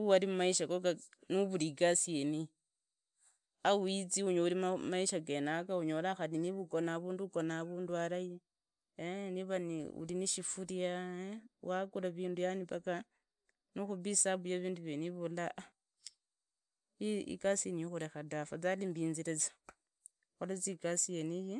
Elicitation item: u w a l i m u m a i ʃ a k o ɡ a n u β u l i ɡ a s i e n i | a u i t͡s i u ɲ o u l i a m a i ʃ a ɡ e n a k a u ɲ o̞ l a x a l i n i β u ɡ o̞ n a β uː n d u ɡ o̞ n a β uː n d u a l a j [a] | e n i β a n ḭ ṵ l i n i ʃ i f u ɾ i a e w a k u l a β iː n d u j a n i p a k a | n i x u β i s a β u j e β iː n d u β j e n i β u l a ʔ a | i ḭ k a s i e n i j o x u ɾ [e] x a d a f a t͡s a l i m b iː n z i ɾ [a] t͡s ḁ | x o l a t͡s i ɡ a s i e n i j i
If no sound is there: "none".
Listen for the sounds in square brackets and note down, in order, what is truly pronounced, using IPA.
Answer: i, e, e

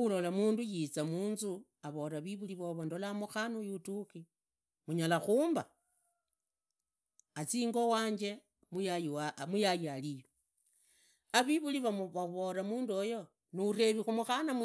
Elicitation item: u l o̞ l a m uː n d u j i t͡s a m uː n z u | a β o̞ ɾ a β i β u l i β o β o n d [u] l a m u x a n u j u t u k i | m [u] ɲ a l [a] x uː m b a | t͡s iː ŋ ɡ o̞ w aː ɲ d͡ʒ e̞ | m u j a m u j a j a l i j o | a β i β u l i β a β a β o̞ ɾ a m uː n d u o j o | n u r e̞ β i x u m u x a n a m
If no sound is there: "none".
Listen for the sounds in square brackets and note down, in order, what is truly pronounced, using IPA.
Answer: o, u, a

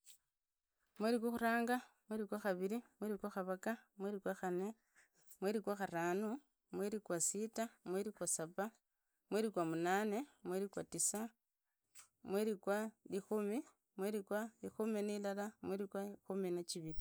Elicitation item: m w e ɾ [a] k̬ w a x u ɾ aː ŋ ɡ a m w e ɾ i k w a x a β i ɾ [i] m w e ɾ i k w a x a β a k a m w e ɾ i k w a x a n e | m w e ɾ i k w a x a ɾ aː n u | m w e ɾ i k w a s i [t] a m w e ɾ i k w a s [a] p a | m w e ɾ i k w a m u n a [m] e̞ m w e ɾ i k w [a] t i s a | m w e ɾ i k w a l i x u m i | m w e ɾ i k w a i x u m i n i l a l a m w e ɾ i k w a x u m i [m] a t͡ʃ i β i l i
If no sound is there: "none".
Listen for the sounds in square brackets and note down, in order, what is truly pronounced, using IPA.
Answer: i, i, t, a, n, a, n

